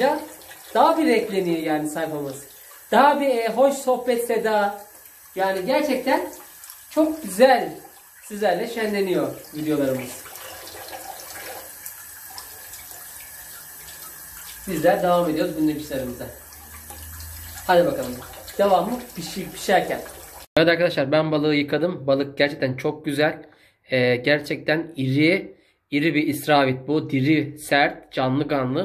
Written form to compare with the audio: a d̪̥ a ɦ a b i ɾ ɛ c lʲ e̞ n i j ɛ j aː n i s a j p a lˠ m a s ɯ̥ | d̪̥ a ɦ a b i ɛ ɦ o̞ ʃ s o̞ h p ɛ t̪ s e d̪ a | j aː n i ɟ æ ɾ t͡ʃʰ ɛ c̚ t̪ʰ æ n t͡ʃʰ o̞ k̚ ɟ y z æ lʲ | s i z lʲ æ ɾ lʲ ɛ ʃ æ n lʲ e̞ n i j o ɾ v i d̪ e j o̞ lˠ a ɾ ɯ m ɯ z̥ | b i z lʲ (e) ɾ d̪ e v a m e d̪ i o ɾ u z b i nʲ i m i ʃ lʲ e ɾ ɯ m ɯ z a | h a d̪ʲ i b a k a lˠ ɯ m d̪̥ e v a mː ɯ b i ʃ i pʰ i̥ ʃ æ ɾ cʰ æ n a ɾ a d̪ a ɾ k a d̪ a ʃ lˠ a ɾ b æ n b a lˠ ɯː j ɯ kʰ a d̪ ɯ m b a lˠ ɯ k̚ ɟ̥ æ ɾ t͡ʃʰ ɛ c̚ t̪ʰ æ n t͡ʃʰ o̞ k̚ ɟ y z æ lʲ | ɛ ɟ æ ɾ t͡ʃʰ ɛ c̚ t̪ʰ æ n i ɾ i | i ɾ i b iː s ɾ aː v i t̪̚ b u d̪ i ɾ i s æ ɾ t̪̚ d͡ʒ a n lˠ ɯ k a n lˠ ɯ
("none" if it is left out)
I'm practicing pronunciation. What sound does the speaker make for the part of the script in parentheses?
æ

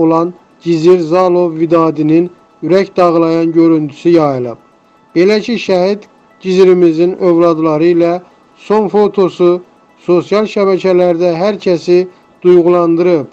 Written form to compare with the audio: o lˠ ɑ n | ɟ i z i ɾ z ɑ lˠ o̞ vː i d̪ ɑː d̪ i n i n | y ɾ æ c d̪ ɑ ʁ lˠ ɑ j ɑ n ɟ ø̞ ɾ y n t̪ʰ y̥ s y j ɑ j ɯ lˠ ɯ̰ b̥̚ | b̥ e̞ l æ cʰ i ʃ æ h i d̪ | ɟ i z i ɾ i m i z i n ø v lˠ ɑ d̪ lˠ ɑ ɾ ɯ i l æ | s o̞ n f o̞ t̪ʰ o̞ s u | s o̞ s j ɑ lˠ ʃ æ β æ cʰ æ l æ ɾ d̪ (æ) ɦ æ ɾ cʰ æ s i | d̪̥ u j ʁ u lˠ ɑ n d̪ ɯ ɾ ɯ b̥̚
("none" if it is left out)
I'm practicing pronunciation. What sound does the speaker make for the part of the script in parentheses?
æ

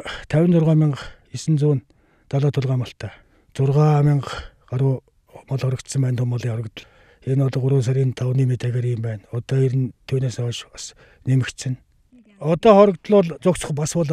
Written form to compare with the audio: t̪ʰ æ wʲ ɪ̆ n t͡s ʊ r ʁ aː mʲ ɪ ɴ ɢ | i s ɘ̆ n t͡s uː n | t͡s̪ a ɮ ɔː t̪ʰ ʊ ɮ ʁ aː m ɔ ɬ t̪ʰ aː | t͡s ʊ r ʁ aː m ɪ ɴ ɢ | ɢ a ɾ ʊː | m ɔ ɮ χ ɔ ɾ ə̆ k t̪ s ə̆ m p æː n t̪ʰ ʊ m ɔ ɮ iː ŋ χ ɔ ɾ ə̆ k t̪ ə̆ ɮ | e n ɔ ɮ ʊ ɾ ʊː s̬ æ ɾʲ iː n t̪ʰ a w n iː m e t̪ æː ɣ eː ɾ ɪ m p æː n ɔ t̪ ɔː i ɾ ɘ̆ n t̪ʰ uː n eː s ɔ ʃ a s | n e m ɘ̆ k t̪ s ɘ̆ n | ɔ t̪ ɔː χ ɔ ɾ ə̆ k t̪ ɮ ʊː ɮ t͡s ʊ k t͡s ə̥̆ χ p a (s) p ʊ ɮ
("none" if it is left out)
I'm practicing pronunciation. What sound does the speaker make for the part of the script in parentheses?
s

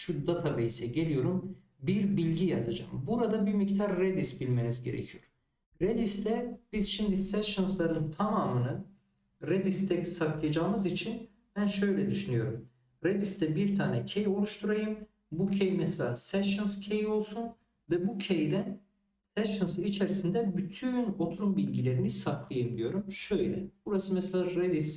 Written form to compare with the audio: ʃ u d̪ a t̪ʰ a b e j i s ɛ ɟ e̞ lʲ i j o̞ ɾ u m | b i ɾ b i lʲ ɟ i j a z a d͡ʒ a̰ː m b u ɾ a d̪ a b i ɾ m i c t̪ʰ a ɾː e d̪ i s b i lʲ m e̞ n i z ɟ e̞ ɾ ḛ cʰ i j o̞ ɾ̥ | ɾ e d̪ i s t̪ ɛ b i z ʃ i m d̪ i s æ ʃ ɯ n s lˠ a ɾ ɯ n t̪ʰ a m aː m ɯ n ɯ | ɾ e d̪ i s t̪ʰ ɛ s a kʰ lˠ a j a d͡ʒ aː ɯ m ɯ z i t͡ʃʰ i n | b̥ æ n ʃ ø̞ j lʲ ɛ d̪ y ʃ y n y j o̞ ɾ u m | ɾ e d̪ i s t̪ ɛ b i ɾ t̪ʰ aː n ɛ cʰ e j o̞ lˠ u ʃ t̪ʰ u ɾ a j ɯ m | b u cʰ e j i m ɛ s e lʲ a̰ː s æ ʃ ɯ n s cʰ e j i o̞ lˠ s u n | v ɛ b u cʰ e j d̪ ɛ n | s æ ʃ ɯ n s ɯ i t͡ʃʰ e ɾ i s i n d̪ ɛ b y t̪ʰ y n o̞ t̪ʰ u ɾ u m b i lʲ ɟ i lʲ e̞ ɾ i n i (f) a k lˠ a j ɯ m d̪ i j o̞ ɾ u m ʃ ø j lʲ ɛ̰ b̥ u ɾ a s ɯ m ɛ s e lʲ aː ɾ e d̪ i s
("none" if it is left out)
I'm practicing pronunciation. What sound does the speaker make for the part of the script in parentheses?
s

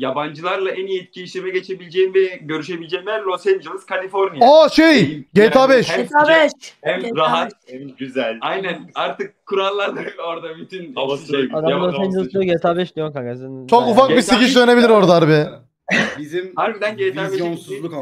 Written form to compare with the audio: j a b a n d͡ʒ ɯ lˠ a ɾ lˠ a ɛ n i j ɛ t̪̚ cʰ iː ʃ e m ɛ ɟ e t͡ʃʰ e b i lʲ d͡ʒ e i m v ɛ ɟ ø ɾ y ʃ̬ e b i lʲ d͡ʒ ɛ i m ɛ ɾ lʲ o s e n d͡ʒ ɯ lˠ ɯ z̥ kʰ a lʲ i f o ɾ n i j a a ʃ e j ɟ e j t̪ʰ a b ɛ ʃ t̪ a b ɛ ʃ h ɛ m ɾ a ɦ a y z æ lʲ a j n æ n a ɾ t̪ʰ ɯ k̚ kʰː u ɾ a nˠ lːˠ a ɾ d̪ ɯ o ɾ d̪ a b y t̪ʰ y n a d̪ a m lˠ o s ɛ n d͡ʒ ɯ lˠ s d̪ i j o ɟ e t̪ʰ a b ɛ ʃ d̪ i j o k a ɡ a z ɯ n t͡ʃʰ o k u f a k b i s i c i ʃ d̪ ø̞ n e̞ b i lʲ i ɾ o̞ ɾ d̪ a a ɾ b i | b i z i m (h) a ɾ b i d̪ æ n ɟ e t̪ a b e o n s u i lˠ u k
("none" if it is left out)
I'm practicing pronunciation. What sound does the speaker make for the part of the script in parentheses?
h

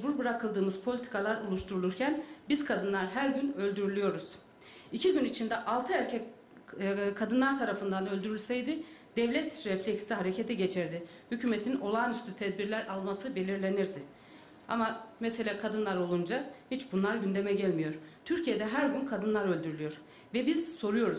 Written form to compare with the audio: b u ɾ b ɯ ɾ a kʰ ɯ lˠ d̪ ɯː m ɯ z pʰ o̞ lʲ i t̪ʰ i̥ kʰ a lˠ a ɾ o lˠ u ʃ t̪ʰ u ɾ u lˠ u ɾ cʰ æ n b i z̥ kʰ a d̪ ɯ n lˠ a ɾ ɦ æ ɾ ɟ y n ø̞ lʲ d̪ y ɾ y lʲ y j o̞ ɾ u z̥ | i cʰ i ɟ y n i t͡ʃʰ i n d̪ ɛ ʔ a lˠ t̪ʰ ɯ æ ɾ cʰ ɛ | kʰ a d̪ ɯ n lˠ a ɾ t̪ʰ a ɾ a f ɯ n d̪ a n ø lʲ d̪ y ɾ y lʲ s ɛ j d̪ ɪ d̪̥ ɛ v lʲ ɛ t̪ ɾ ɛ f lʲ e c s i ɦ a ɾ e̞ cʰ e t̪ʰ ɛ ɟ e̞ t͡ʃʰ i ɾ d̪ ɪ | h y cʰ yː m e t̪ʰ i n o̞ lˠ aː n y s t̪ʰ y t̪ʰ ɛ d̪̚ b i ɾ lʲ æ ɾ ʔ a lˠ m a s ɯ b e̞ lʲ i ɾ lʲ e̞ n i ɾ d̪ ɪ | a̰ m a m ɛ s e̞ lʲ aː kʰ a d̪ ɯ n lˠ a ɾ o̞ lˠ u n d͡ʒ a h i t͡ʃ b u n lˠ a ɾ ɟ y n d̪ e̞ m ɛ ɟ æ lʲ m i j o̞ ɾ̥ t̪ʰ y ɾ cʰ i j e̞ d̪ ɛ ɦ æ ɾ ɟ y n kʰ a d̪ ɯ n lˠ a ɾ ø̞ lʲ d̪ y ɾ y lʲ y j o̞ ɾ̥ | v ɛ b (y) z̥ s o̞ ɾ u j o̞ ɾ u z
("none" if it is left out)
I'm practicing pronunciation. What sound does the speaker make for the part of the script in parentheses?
i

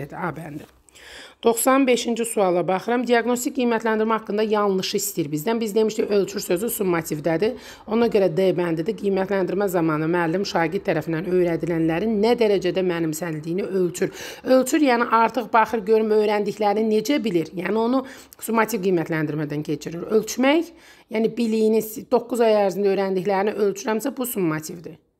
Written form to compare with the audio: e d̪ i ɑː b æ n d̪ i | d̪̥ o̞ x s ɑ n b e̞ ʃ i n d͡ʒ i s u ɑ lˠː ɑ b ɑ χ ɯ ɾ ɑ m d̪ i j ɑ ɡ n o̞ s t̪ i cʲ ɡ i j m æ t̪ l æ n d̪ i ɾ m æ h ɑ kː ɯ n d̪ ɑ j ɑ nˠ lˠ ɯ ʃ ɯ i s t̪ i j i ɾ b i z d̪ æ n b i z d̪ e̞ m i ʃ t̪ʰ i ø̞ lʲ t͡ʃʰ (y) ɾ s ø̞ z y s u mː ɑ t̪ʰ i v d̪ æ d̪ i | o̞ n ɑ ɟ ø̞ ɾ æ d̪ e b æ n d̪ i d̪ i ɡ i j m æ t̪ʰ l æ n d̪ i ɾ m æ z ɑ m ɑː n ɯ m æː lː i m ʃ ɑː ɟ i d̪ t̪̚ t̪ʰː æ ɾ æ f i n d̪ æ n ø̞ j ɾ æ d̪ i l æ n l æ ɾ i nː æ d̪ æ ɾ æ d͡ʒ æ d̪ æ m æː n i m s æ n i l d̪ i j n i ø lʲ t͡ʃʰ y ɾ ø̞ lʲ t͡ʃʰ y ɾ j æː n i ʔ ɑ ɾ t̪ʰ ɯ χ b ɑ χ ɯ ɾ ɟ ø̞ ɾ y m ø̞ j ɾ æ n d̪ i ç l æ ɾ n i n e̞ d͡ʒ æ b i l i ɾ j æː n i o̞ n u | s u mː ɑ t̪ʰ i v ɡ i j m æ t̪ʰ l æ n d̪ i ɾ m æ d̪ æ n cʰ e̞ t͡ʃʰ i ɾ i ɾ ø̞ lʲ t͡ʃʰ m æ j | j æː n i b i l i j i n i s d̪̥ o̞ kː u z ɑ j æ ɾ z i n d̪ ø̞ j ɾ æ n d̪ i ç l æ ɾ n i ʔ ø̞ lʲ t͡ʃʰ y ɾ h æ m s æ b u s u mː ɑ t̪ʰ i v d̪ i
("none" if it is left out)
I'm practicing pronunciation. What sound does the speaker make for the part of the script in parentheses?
y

